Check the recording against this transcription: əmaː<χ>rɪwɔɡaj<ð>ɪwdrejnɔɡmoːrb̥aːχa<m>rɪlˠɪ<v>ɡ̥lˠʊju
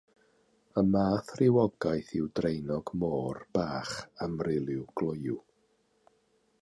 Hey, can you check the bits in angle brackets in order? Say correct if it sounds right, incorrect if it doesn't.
incorrect: θ, incorrect: θ, correct, incorrect: w

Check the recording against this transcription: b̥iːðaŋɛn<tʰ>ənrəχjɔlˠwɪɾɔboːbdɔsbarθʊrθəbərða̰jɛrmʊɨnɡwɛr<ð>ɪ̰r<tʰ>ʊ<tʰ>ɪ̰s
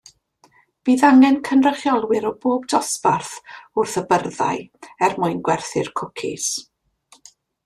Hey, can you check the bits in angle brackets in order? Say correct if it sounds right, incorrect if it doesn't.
incorrect: kʰ, incorrect: θ, incorrect: kʰ, incorrect: kʰ

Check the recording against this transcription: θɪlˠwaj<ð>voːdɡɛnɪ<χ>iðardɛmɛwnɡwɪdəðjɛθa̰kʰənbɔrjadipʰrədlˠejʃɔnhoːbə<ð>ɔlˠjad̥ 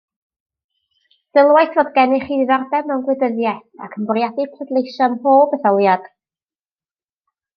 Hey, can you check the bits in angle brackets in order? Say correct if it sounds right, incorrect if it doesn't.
incorrect: θ, correct, incorrect: θ

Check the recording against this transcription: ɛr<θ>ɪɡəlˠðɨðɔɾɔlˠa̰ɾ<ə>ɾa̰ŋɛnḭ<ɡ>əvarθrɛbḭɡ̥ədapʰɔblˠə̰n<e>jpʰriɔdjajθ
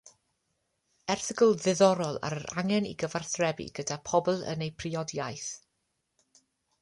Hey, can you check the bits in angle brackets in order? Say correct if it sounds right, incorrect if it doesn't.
correct, correct, correct, correct

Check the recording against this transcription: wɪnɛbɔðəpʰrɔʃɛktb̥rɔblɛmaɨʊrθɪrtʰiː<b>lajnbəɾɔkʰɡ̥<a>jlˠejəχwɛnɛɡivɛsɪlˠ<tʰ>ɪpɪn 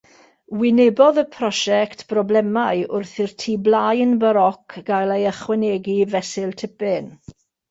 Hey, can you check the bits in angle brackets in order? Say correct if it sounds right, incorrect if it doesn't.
correct, correct, correct

